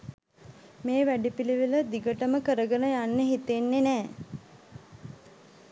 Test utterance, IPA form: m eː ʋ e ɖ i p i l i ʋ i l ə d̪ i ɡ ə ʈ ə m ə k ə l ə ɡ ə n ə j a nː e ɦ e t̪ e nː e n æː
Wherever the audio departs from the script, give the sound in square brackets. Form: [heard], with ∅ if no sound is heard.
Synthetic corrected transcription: m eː ʋ [æ] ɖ i p i l i ʋ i l ə d̪ i ɡ ə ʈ ə m ə k ə [ɾ] ə ɡ ə n ə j a nː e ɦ [i] t̪ e nː e n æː